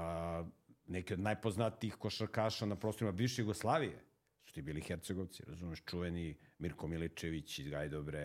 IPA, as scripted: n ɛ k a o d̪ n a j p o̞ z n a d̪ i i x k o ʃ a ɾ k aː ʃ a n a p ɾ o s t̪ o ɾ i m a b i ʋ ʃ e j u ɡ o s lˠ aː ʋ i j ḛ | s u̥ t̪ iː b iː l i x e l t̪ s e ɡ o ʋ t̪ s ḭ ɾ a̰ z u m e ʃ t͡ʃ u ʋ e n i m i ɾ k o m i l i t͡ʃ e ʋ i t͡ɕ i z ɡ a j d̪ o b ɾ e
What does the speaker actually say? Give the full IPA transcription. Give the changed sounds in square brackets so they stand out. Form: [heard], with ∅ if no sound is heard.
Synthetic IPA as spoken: n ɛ k [i] o d̪ n a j p o̞ z n a [t̪] i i x k o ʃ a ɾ k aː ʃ a n a p ɾ o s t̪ o ɾ i m a b i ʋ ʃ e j u ɡ o s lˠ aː ʋ i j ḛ | s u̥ t̪ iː b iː l i x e [ɾ] t̪ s e ɡ o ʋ t̪ s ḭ ɾ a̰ z u m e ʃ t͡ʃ u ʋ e n i m i ɾ k o m i l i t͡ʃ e ʋ i t͡ɕ i z ɡ a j d̪ o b ɾ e